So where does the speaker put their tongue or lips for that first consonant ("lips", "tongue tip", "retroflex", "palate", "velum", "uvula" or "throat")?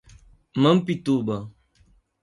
lips